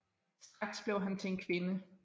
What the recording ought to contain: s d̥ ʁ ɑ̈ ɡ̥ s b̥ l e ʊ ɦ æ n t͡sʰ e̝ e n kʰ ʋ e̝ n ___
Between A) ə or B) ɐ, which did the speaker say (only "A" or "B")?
A